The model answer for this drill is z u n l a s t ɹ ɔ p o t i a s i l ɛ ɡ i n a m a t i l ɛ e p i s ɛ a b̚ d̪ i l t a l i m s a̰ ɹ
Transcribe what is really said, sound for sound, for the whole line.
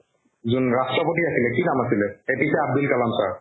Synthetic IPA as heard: z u n ɹ a s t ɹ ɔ p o t i a s i l ɛ k i n a m a s i l ɛ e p i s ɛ a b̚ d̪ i l k a l a m s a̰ ɹ